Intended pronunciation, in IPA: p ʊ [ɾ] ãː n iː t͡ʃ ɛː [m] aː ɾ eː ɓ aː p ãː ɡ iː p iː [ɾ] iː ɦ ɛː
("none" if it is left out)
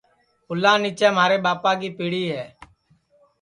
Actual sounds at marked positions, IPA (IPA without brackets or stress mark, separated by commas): l, m, ɽ